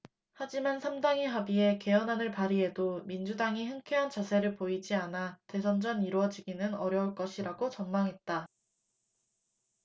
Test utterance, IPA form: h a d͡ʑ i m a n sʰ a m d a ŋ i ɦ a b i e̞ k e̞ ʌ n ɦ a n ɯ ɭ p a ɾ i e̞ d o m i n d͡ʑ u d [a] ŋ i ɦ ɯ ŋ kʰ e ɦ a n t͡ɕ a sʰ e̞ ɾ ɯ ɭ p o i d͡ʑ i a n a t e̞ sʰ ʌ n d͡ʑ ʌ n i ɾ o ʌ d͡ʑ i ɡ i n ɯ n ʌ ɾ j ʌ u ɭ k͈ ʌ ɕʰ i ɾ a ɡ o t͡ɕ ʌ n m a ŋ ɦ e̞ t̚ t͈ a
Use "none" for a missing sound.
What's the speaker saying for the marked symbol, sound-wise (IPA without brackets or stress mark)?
a